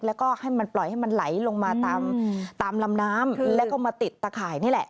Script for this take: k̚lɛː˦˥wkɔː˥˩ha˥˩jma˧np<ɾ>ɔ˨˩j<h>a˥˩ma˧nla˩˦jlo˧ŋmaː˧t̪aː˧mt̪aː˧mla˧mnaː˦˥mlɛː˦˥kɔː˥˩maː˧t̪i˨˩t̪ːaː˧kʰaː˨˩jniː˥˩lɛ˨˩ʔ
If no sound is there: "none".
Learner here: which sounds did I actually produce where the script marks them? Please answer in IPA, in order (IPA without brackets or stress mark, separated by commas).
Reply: l, h